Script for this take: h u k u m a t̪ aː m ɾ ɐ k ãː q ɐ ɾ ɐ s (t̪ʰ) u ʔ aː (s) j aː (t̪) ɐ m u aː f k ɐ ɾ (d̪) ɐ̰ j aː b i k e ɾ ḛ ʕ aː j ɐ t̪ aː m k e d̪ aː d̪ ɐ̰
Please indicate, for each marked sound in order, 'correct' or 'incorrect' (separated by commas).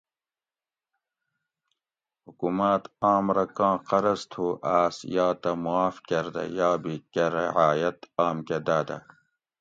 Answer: correct, correct, correct, correct